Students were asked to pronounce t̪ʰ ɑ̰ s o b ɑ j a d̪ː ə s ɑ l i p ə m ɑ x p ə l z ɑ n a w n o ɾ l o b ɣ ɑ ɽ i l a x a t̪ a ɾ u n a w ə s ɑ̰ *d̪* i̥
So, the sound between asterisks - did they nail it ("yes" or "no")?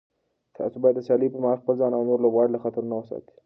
no